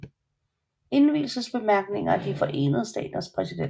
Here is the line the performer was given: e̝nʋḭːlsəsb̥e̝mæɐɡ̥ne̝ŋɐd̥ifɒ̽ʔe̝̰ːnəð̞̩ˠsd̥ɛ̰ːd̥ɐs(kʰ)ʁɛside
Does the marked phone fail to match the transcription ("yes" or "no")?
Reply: yes